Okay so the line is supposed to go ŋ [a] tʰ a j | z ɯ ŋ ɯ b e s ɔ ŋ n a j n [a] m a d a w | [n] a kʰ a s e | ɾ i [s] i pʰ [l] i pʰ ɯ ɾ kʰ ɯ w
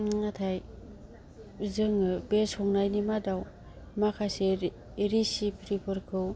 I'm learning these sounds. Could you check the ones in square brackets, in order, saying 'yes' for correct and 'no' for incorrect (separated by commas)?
yes, no, no, yes, no